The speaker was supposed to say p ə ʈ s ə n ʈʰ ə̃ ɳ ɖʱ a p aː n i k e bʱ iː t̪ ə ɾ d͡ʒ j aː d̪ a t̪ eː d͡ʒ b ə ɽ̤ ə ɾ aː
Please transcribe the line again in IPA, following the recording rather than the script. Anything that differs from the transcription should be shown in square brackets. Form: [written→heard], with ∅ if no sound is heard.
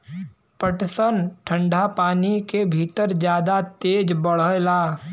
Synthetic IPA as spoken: p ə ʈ s ə n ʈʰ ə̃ ɳ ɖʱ a p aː n i k e bʱ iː t̪ ə ɾ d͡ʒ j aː d̪ a t̪ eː d͡ʒ b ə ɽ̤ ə [ɾ→l] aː